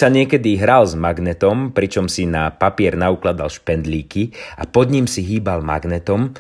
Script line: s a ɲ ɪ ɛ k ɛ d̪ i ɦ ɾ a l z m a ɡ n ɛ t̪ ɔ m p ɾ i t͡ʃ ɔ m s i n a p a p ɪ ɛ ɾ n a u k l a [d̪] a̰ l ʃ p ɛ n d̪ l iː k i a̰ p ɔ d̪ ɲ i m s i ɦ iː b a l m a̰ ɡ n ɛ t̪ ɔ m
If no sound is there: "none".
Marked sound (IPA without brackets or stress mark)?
d̪